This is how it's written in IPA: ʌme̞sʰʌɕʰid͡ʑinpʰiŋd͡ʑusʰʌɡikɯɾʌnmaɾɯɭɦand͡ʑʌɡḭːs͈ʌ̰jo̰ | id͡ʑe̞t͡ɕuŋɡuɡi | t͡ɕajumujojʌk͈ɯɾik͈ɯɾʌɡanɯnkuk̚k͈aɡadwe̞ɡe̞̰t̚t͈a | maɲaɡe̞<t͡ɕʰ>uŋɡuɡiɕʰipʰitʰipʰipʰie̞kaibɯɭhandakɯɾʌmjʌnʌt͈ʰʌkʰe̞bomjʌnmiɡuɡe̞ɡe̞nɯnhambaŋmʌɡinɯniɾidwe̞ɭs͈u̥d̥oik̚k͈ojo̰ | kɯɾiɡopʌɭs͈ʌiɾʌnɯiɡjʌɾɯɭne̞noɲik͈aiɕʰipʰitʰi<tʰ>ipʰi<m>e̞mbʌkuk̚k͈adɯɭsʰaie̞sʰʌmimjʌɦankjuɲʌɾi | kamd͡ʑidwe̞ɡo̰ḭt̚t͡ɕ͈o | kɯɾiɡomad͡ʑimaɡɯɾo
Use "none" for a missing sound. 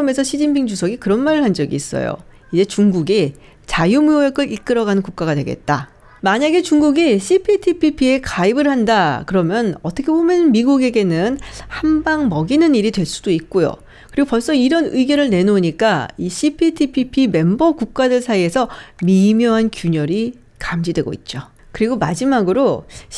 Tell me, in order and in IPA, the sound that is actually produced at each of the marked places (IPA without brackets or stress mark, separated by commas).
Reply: t͡ɕ, pʰ, m